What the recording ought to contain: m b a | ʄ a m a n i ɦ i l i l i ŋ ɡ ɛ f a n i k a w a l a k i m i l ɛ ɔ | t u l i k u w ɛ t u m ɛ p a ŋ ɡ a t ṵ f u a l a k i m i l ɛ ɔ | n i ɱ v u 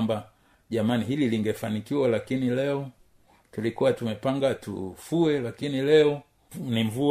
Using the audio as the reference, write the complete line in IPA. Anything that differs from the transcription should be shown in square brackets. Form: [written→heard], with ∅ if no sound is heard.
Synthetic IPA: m b a | ʄ a m a n i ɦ i l i l i ŋ ɡ ɛ f a n i k [a→i] w a l a k i [m→n] i l ɛ ɔ | t u l i k u w [ɛ→a] t u m ɛ p a ŋ ɡ a t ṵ f u [a→ɛ] l a k i [m→n] i l ɛ ɔ | n i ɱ v u